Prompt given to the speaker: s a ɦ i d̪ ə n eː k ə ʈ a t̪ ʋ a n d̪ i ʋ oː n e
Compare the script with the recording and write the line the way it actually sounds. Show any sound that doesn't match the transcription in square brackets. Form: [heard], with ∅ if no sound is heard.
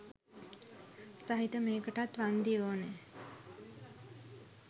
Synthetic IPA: s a ɦ i [t̪] ə [m] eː k ə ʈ a t̪ ʋ a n d̪ i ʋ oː n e

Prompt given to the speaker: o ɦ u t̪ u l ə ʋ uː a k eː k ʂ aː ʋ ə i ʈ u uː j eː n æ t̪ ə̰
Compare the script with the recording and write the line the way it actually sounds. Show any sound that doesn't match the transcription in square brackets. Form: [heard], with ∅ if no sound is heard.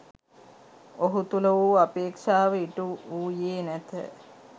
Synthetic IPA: o ɦ u t̪ u l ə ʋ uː a [p] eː k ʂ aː ʋ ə i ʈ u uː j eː n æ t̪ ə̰

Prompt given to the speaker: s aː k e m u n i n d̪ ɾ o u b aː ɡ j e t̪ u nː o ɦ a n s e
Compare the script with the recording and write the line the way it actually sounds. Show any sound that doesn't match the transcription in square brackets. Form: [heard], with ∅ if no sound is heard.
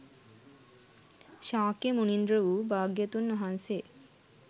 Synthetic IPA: [ʃ] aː k e m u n i n d̪ ɾ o u b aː ɡ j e t̪ u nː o ɦ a n s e

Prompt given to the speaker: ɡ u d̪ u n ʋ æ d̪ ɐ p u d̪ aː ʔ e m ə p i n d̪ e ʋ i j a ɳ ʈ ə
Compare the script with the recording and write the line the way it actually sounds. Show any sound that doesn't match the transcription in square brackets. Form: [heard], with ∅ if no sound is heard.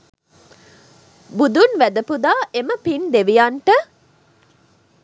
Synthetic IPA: [b] u d̪ u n ʋ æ d̪ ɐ p u d̪ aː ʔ e m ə p i n d̪ e ʋ i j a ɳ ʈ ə

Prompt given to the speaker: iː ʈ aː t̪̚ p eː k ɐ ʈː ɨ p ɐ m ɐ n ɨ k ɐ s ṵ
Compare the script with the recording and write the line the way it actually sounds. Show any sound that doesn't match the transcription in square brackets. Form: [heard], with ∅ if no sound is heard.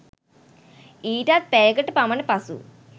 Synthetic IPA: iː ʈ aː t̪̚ p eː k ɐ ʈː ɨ p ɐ m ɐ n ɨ [p] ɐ s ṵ

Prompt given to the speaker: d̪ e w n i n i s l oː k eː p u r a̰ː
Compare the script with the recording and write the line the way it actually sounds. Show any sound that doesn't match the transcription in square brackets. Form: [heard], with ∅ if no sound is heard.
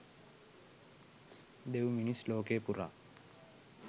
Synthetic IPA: d̪ e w [m] i n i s l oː k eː p u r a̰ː

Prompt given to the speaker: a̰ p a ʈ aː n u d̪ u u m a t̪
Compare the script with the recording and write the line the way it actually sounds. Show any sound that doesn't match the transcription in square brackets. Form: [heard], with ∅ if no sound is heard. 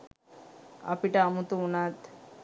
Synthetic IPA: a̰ p [i] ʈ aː [m] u [t̪] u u [n] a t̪

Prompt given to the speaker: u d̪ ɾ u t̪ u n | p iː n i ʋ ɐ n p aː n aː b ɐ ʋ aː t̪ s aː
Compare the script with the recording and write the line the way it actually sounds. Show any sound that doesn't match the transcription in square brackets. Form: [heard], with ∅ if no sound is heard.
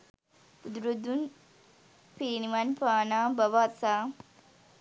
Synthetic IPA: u d̪ ɾ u [d̪] u n | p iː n i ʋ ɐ n p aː n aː b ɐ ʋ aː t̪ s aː

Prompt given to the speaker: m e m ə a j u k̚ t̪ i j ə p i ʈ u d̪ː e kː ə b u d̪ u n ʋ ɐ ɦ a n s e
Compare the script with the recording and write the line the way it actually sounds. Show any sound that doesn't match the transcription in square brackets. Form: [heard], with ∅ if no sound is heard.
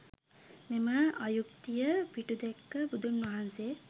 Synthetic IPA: m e m ə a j u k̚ t̪ i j ə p i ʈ u [d̪] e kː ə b u d̪ u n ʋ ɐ ɦ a n s e

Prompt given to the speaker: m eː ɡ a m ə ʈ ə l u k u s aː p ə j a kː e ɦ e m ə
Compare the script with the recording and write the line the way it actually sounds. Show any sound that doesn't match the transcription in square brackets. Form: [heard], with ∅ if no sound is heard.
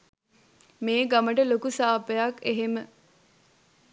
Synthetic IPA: m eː ɡ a m ə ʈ ə l [o] k u s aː p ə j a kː e ɦ e m ə

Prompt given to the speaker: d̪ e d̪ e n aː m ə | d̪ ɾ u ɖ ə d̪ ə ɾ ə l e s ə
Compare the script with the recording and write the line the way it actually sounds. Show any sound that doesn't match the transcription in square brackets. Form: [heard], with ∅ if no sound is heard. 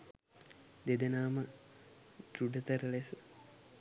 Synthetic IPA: d̪ e d̪ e n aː m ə | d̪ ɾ u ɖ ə [t̪] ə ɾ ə l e s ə

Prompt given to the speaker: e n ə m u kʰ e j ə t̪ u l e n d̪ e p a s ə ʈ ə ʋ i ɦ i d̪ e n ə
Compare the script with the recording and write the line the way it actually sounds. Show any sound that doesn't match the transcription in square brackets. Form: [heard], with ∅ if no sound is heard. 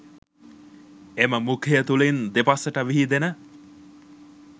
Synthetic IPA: e [m] ə m u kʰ e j ə t̪ u l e n d̪ e p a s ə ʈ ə ʋ i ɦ i d̪ e n ə

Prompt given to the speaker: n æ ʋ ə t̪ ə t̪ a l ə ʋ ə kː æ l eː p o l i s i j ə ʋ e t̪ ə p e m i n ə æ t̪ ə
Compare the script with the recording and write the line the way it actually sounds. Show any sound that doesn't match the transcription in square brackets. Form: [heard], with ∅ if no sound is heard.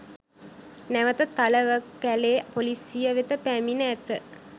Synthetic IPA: n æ ʋ ə t̪ ə t̪ a l ə ʋ ə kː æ l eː p o l i s i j ə ʋ e t̪ ə p [æ] m i n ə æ t̪ ə

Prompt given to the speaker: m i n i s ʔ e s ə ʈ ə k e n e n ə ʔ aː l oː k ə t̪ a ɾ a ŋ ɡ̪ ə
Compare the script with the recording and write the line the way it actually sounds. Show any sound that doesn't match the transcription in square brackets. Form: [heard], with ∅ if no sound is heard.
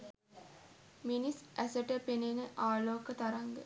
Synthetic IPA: m i n i s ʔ [æ] s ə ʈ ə [p] e n e n ə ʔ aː l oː k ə t̪ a ɾ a ŋ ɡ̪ ə

